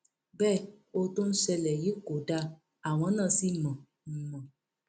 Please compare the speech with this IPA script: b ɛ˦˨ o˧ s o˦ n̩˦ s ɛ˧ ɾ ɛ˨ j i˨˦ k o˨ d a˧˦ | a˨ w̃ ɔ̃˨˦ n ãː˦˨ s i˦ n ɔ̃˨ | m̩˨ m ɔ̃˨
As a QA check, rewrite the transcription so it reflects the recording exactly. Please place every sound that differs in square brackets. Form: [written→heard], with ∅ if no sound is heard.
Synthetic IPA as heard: b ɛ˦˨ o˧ [s→t] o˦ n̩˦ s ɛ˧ [ɾ→l] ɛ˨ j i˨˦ k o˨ d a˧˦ | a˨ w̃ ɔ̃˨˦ n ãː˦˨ s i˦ [n→m] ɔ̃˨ | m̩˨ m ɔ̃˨